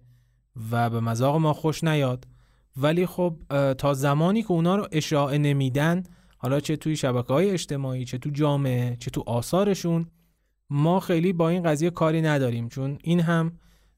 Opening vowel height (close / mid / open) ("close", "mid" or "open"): open